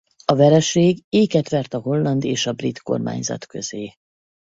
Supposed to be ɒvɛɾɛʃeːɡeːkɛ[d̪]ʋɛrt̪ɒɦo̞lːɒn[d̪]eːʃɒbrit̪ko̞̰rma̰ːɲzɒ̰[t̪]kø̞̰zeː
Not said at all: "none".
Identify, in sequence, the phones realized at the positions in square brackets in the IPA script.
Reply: t̪, d̪, t̪

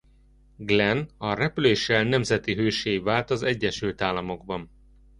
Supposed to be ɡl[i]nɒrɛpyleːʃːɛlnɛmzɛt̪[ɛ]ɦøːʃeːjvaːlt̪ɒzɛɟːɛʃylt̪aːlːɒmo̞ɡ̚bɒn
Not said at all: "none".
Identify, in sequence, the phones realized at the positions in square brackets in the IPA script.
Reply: ɛ, i

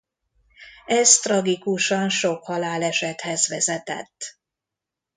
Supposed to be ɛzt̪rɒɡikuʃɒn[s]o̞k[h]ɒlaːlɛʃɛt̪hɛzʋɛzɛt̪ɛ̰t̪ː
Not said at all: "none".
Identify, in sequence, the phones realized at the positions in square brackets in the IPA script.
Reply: ʃ, h

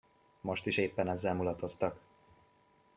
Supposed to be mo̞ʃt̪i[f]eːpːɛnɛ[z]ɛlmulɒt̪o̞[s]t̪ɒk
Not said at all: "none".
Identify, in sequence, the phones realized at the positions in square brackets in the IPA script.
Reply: ʃ, zː, s

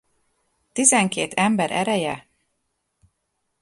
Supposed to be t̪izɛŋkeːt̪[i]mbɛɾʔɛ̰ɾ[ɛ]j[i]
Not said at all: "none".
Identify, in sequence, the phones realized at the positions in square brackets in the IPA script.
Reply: ɛ, ɛ, ɛ

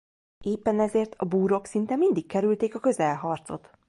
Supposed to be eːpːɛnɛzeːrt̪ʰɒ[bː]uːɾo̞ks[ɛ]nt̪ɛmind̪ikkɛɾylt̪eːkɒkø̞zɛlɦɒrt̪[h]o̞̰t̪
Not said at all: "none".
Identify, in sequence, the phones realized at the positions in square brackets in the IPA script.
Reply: b, i, s

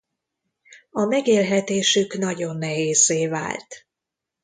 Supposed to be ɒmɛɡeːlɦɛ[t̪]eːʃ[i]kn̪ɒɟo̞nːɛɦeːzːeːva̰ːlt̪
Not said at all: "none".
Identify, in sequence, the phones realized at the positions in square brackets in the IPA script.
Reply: t̪, y

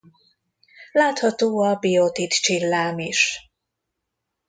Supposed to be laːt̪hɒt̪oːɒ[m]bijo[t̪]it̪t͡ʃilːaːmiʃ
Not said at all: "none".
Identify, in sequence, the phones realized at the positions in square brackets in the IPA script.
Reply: none, t̪

